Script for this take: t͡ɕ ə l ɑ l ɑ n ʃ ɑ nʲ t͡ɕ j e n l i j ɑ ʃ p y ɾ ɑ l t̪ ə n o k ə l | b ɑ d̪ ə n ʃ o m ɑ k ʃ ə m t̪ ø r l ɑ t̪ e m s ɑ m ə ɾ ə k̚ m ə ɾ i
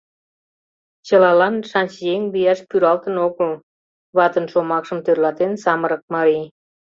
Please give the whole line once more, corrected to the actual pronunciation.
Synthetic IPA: t͡ɕ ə l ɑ l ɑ n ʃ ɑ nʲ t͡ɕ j e ŋ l i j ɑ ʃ p y ɾ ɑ l t̪ ə n o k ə l | β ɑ t̪ ə n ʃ o m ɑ k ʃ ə m t̪ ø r l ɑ t̪ e n s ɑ m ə ɾ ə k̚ m ɑ ɾ i